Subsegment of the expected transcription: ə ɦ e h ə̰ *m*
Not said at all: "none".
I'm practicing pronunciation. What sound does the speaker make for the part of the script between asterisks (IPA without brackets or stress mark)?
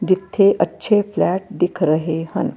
n